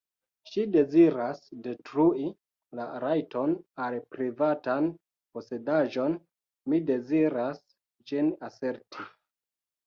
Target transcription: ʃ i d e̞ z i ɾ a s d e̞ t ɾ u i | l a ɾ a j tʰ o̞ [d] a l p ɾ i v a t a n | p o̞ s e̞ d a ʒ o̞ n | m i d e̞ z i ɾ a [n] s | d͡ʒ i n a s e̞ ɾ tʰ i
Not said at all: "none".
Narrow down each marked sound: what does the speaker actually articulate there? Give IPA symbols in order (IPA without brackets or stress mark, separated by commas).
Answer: n, none